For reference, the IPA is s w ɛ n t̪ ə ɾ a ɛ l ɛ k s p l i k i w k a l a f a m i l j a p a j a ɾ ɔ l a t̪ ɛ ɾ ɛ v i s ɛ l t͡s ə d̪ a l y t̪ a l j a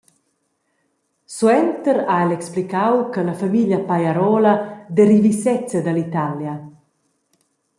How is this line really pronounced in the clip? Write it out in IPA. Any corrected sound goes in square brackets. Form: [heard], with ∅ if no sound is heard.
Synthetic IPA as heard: s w ɛ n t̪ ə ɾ a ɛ l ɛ k s p l i k [a] w k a l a f a m i l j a p a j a ɾ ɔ l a [d̪] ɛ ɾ [i] v i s ɛ [∅] t͡s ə d̪ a l [i] t̪ a l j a